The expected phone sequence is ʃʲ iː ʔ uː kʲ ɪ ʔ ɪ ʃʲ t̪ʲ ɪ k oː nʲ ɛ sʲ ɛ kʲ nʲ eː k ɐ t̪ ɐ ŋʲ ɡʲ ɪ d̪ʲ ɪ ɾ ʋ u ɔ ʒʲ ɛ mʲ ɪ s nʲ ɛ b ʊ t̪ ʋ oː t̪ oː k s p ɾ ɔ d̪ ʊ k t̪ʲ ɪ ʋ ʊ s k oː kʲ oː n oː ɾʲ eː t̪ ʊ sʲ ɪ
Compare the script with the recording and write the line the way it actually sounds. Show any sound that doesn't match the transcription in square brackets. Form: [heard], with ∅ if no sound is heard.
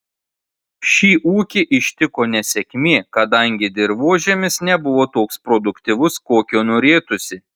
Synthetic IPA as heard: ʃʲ iː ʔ uː kʲ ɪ ʔ ɪ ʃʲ t̪ʲ ɪ k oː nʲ ɛ sʲ ɛ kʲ [mʲ] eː k ɐ [d̪] ɐ ŋʲ ɡʲ ɪ d̪ʲ ɪ ɾ ʋ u ɔ ʒʲ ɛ mʲ ɪ s nʲ ɛ b ʊ [∅] ʋ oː t̪ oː k s p ɾ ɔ d̪ ʊ k t̪ʲ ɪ ʋ ʊ s k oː kʲ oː n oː ɾʲ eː t̪ ʊ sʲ ɪ